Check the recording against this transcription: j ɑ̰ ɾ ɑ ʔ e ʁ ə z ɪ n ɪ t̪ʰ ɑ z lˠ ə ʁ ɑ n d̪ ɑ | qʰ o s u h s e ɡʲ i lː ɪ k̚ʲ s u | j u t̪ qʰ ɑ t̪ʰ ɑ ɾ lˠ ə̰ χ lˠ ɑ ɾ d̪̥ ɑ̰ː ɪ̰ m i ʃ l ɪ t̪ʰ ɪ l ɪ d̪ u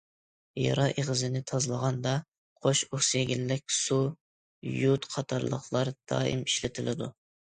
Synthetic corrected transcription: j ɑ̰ ɾ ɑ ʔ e ʁ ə z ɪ n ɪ t̪ʰ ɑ z lˠ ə ʁ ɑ n d̪ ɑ | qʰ o ʃ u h s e ɡʲ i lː ɪ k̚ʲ s u | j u t̪ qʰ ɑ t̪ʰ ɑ ɾ lˠ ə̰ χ lˠ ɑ ɾ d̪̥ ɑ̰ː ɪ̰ m i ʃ l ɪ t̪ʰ ɪ l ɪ d̪ u

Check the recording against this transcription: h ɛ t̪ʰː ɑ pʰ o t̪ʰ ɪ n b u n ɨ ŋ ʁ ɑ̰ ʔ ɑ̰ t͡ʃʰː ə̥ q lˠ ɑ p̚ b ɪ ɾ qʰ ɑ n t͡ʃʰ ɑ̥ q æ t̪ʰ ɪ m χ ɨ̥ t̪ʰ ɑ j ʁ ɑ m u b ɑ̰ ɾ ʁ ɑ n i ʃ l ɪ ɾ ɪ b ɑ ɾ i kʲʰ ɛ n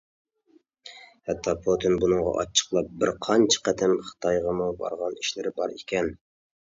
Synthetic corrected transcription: h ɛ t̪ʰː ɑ pʰ o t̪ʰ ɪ n b u n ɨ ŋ ʁ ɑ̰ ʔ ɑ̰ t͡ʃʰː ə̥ q lˠ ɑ p̚ b ɪ ɾ qʰ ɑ n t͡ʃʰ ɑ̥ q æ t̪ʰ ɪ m χ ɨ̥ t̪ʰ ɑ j ʁ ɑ m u b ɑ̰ ɾ ʁ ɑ n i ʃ l ɪ ɾ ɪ b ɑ ɾ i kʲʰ ɛ n

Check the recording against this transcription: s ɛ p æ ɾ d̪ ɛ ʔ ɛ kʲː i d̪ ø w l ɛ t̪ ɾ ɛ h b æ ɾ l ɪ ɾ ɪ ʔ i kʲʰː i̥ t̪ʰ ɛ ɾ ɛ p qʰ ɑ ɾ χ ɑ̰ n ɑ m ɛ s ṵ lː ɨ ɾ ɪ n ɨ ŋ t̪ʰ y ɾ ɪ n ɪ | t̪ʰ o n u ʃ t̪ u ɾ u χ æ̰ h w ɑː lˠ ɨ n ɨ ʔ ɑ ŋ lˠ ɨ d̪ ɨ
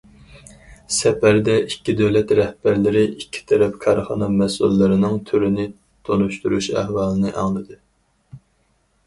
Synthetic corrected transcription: s ɛ p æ ɾ d̪ ɛ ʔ i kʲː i d̪ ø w l ɛ t̪ ɾ ɛ h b æ ɾ l ɪ ɾ ɪ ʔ i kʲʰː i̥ t̪ʰ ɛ ɾ ɛ p kʰ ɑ ɾ χ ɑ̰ n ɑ m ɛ s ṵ lː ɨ ɾ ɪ n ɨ ŋ t̪ʰ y ɾ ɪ n ɪ | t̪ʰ o n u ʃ t̪ u ɾ u ʃ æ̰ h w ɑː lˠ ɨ n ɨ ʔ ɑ ŋ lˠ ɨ d̪ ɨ

